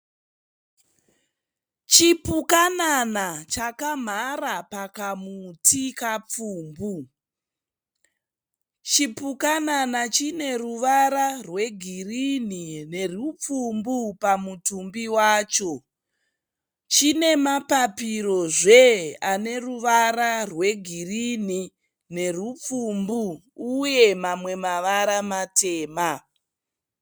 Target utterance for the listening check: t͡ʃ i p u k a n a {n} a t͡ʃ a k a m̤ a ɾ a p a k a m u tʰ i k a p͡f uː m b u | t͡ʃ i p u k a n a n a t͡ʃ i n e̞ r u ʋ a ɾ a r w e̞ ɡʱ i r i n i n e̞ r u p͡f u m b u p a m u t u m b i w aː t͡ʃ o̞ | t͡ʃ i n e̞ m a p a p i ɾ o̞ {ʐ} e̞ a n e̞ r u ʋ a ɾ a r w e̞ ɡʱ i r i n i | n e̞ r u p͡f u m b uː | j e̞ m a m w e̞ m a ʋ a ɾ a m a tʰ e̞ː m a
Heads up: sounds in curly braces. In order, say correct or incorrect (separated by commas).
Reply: correct, correct